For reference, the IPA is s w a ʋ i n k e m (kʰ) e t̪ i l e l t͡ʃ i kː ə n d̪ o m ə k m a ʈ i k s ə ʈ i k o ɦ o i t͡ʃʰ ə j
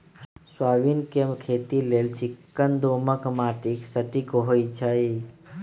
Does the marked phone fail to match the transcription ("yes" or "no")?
no